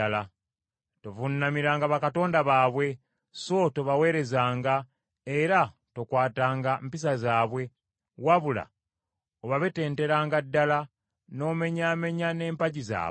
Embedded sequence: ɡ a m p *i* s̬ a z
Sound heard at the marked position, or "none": i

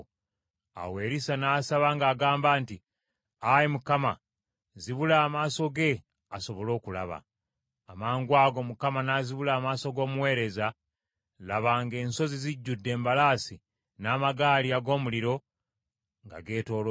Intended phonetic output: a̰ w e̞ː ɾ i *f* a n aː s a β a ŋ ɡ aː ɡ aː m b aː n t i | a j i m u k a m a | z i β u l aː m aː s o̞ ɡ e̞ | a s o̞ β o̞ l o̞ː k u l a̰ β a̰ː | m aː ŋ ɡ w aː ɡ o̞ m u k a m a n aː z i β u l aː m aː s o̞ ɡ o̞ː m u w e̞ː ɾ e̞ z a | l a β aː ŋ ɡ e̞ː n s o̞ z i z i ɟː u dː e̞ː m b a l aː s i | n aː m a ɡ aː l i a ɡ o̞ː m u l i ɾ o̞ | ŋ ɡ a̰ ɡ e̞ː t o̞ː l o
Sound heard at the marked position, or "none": s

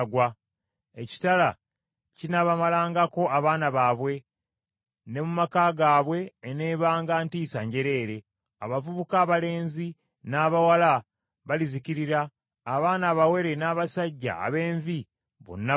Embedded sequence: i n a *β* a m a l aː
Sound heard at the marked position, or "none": β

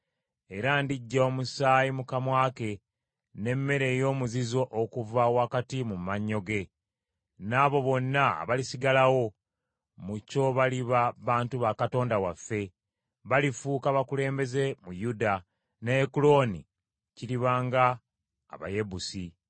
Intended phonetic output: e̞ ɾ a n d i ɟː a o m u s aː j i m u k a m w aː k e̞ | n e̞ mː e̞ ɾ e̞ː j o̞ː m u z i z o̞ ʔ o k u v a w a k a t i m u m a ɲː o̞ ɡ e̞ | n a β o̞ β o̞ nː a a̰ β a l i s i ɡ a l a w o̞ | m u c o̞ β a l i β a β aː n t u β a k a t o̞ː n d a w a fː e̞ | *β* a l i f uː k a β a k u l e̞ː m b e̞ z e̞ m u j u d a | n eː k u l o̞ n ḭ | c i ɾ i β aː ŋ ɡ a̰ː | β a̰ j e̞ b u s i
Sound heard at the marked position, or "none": β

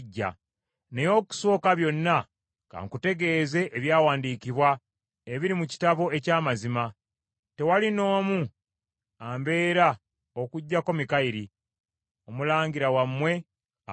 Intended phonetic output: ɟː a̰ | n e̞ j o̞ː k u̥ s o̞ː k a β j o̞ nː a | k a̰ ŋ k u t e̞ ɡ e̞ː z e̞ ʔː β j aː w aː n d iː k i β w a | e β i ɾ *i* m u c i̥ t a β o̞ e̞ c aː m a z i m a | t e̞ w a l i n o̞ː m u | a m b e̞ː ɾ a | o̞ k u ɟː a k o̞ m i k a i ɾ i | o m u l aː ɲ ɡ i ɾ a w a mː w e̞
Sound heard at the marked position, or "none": i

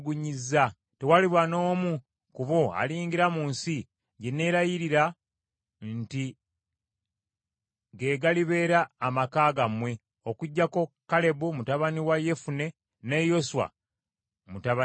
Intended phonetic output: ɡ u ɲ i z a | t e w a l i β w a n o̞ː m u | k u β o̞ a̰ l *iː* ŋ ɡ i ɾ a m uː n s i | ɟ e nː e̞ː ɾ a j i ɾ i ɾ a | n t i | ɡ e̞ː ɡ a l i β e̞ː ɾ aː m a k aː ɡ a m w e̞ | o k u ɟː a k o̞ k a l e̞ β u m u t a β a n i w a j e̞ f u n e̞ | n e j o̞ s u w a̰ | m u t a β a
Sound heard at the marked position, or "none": iː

